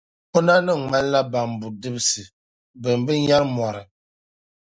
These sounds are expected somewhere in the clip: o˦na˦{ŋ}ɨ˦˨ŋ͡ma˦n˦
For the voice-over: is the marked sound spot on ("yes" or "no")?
no